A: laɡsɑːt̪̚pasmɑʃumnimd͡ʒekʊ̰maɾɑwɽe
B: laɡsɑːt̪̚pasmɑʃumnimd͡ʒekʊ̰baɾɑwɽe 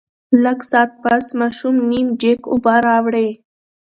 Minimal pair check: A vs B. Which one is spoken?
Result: B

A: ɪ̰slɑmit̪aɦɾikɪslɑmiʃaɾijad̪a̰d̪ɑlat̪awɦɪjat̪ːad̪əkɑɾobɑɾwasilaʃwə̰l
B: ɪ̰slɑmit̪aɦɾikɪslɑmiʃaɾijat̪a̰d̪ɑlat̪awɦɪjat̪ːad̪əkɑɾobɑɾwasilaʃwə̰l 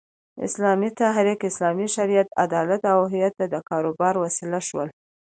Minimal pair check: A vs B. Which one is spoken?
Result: B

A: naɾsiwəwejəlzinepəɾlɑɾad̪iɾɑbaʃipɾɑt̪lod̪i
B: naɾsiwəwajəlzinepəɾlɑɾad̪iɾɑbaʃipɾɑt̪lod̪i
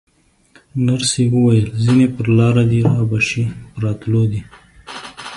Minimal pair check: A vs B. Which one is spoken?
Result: B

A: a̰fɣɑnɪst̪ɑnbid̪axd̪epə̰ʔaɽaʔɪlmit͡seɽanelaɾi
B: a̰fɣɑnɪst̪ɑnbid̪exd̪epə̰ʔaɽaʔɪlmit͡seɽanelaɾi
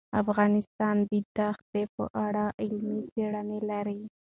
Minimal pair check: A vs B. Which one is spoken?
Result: A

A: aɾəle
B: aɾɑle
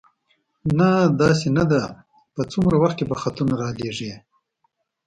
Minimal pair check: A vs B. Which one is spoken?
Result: B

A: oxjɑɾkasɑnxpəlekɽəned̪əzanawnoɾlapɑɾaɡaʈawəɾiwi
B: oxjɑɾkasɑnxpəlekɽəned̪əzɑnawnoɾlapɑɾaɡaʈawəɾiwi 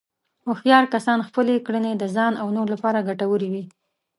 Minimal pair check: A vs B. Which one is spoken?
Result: B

